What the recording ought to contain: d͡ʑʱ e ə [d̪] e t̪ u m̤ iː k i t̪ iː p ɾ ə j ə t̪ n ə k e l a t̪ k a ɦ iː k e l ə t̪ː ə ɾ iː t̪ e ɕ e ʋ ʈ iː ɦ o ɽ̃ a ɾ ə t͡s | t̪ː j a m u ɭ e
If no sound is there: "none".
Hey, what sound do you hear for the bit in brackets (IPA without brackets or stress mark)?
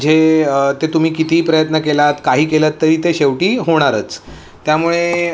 t̪